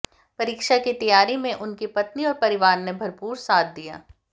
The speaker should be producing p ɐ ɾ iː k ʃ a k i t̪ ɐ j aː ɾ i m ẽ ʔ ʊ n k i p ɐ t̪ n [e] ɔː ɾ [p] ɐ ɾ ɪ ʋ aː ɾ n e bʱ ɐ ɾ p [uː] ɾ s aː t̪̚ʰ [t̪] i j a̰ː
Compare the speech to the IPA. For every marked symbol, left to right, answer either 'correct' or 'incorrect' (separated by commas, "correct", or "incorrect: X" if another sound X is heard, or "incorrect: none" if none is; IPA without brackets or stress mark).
incorrect: i, correct, correct, incorrect: d̪